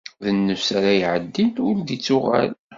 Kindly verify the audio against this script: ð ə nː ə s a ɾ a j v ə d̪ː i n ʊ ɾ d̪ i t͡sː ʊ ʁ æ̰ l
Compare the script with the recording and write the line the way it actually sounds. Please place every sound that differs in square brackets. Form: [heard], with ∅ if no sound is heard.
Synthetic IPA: ð ə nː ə s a ɾ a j [ʕ] ə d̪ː i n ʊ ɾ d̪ i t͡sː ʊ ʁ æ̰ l